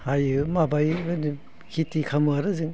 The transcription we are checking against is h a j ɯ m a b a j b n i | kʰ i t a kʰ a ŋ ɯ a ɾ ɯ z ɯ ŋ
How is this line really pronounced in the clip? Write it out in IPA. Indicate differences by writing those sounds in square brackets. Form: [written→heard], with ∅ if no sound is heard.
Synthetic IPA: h a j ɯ m a b a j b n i | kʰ i t [a→i] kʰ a [ŋ→m] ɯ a ɾ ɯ z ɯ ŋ

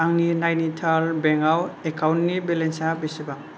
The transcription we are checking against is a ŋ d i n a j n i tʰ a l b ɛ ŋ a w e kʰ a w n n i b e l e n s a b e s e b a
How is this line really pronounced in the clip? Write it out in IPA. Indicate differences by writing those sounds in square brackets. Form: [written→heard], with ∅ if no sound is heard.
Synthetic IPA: a ŋ [d→n] i n a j n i tʰ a l b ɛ ŋ a w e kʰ a w n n i b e l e n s a b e s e b a

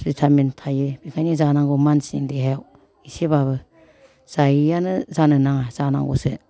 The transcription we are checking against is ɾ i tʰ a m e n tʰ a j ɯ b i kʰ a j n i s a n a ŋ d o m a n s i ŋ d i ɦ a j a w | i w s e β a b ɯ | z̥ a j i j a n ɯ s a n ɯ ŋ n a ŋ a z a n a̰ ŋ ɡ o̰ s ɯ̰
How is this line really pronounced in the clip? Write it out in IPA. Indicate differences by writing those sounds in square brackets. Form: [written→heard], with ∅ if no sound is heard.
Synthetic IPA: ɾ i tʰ a m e n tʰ a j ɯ b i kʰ a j n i [s→z] a n a ŋ [d→ɡ] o m a n s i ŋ d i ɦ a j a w | i [w→∅] s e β a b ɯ | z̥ a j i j a n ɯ [s→z] a n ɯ [ŋ→∅] n a ŋ a z a n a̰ ŋ ɡ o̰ s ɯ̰

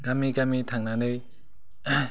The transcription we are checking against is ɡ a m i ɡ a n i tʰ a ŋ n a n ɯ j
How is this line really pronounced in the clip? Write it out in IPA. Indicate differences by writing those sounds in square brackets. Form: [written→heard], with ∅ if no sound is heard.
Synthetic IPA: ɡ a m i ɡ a [n→m] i tʰ a ŋ n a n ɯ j

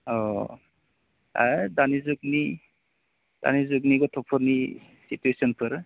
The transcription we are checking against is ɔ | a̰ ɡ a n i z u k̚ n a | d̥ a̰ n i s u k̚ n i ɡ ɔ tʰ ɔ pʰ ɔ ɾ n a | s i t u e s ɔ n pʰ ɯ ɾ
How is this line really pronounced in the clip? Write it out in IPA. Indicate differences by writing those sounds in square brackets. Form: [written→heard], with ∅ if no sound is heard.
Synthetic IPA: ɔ | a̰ [ɡ→d] a n i z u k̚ n [a→i] | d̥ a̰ n i [s→z] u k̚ n i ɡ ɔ tʰ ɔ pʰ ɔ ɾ n [a→i] | s i t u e s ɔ n pʰ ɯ ɾ

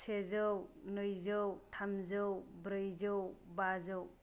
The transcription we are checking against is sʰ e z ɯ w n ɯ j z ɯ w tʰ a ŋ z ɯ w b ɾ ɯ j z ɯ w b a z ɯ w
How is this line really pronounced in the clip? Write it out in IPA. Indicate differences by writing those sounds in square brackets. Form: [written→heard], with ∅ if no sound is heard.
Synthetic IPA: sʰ e z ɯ w n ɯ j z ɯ w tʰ a [ŋ→m] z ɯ w b ɾ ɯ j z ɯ w b a z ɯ w

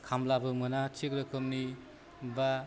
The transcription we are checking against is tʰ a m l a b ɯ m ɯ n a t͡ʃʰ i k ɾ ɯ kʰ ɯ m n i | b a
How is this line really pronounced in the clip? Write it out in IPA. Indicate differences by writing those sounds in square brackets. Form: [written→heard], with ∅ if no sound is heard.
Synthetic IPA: [tʰ→kʰ] a m l a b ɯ m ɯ n a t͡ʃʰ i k ɾ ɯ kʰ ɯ m n i | b a

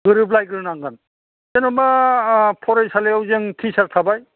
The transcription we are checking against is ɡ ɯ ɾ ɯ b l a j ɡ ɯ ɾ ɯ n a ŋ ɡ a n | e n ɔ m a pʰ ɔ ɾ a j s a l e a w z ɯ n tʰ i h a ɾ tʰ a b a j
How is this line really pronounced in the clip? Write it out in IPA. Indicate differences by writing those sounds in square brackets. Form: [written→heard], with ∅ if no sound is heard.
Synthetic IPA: ɡ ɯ ɾ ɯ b l a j ɡ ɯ ɾ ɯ n a ŋ ɡ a n | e n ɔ m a pʰ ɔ ɾ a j s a l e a w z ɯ [n→ŋ] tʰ i [h→s] a ɾ tʰ a b a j

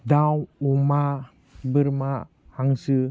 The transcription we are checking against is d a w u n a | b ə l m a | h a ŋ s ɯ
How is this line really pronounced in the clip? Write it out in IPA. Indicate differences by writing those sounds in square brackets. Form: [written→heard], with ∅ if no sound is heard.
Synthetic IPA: d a w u [n→m] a | b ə [l→ɾ] m a | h a ŋ s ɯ

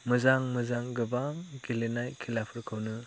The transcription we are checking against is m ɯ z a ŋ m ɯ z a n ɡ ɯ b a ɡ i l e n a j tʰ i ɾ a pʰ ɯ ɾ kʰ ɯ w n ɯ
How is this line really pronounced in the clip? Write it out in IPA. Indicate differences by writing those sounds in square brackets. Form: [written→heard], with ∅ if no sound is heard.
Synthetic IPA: m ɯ z a ŋ m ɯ z a [n→ŋ] ɡ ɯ b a ɡ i l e n a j [tʰ→kʰ] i [ɾ→l] a pʰ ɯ ɾ kʰ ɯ w n ɯ

